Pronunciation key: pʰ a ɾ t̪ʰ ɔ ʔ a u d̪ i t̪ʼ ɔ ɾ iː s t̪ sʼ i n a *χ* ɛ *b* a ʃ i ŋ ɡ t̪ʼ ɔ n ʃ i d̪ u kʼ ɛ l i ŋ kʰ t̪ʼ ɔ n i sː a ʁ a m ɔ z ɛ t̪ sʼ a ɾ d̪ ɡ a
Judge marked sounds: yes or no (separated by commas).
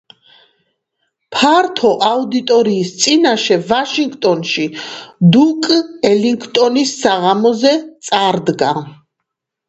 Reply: no, no